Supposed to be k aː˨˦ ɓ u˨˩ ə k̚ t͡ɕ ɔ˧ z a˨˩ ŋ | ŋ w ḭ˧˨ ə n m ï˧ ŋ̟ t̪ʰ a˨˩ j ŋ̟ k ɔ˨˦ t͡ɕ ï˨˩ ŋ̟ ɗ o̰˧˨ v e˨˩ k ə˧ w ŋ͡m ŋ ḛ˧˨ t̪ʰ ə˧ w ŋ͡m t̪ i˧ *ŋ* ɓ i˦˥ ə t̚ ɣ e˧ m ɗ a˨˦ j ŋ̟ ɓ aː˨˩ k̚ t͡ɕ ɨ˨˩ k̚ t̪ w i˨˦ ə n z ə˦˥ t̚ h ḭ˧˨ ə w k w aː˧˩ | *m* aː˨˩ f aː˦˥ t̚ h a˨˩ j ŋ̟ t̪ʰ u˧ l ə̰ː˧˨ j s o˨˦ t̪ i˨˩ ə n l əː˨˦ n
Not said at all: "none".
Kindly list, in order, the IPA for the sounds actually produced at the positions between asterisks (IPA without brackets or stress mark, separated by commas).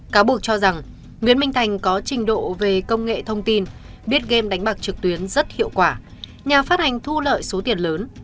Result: n, ɲ